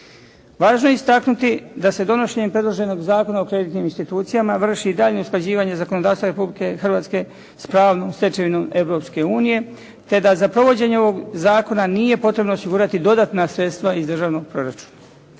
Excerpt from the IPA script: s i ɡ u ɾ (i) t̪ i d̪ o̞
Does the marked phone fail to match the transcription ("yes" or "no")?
yes